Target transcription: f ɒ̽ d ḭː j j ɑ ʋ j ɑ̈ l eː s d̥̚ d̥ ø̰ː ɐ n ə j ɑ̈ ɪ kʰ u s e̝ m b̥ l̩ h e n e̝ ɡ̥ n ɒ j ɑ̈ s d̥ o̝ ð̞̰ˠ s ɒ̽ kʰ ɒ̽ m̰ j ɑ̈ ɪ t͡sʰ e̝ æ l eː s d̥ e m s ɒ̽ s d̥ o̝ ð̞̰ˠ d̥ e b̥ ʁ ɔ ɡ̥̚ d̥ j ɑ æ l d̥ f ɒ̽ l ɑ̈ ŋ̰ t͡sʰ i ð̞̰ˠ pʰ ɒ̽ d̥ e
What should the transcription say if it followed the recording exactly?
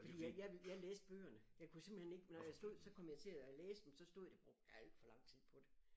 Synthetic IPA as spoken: f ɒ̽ d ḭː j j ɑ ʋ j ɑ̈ l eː s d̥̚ b̥ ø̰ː ɐ n ə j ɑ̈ ɪ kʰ u s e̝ m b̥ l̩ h e n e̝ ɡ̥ n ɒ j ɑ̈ s d̥ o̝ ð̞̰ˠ s ɒ̽ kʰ ɒ̽ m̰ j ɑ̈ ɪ t͡sʰ e̝ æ l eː s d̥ e m s ɒ̽ s d̥ o̝ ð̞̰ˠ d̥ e b̥ ʁ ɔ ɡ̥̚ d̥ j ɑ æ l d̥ f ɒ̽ l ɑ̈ ŋ̰ t͡sʰ i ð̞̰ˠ pʰ ɒ̽ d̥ e